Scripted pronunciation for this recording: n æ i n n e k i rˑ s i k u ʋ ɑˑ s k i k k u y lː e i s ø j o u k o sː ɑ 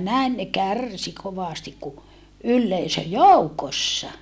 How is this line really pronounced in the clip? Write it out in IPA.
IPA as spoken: n æ i n n e k æ rˑ s i k o ʋ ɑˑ s t i k k u y lː e i s ø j o u k o sː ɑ